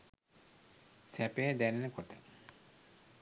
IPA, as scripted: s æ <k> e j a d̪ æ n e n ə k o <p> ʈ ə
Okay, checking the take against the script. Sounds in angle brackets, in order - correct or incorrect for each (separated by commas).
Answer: incorrect, incorrect